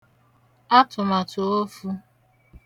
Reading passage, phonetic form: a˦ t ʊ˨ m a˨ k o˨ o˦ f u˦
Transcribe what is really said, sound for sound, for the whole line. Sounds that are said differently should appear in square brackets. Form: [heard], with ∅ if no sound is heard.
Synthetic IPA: a˦ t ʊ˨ m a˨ [t] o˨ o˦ f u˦